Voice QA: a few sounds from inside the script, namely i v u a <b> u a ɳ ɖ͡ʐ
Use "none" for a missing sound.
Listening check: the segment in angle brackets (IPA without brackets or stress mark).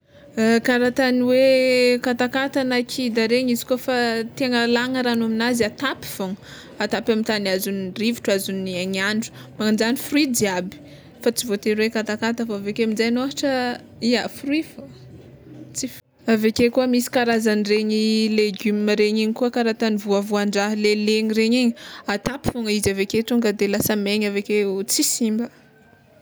v